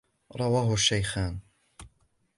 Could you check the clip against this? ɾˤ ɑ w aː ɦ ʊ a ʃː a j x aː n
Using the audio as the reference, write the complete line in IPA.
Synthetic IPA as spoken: ɾˤ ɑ w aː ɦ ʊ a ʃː a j x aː n

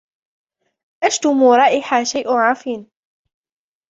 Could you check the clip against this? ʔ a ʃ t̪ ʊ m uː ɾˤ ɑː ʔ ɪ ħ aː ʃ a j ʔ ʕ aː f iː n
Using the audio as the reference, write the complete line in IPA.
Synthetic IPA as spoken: ʔ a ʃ t̪ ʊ m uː ɾˤ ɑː ʔ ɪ ħ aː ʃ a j ʔ ʕ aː f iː n

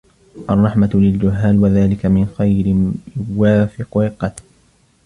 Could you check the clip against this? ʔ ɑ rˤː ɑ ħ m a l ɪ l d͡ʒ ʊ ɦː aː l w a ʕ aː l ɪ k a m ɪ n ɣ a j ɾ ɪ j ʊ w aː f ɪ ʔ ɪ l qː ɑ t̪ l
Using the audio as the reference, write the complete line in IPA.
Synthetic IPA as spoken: ʔ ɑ rˤː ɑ ħ m a l ɪ l d͡ʒ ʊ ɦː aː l w a ð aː l ɪ k a m ɪ n x a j ɾ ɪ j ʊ w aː f ɪ q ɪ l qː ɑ t̪ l

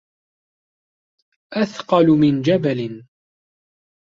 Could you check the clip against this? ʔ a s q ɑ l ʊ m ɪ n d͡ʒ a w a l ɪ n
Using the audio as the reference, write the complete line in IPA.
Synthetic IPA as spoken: ʔ a θ q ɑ l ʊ m ɪ n d͡ʒ a b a l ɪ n

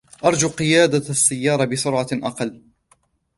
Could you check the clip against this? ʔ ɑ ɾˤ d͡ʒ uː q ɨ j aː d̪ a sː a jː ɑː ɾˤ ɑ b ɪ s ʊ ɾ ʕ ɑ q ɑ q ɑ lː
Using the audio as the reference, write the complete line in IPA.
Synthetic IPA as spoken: ʔ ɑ ɾˤ d͡ʒ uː q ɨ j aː d̪ a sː a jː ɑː ɾˤ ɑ b ɪ s ʊ ɾ ʕ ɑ ʔ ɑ q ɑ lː

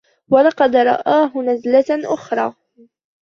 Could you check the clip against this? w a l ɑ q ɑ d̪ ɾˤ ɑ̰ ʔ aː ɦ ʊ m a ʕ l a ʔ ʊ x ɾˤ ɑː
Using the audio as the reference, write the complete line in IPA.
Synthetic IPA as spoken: w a l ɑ q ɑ d̪ ɾˤ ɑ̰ ʔ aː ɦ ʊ n a z l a ʔ ʊ x ɾˤ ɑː

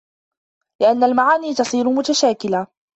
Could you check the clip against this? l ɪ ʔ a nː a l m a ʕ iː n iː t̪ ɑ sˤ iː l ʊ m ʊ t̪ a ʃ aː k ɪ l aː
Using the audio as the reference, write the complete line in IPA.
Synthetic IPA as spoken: l ɪ ʔ a nː a l m a ʕ aː n iː t̪ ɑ sˤ iː ɾ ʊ m ʊ t̪ a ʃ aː k ɪ l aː

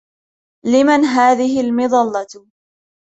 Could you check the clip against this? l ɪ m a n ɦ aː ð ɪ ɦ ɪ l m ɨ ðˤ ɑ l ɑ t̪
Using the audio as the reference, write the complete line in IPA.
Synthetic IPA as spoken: l ɪ m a n ɦ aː ð ɪ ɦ ɪ l m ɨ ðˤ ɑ lː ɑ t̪

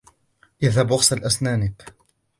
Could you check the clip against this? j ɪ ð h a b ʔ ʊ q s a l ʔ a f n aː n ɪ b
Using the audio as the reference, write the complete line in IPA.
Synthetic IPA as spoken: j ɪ ð h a b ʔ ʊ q s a l ʔ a s n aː n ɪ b

